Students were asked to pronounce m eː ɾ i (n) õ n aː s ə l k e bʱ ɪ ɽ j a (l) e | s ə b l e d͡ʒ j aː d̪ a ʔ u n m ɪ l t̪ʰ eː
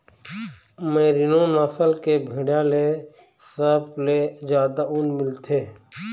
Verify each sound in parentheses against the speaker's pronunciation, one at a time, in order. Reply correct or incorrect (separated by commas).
correct, correct